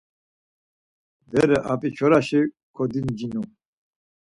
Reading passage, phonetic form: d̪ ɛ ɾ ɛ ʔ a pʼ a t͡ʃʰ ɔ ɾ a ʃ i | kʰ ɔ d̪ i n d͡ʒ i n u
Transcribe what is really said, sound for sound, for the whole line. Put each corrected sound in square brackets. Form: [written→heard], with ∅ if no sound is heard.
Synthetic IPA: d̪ ɛ ɾ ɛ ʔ a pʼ [a→i] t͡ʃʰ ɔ ɾ a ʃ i | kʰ ɔ d̪ i n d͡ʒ i n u